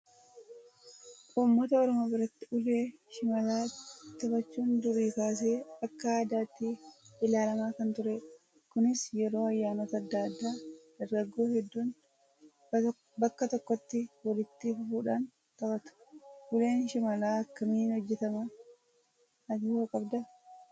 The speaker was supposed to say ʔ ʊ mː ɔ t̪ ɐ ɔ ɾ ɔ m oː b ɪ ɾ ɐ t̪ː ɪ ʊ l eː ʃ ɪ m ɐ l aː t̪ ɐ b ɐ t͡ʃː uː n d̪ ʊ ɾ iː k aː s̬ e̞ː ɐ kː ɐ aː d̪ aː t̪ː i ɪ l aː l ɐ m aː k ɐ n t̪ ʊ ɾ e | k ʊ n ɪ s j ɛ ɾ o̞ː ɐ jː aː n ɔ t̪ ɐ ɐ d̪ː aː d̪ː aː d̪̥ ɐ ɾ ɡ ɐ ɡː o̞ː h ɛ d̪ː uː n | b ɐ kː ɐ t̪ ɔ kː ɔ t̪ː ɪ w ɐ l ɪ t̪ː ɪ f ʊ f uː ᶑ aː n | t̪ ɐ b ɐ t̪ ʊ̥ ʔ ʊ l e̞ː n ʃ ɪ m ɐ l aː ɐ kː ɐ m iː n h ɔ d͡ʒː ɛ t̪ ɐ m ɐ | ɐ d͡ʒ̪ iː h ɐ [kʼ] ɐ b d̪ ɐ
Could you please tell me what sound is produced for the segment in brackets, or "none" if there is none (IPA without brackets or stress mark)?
kʼ